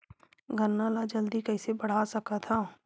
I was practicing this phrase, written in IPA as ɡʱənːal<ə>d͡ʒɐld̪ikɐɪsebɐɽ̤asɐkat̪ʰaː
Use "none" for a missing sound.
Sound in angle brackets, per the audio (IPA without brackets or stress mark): a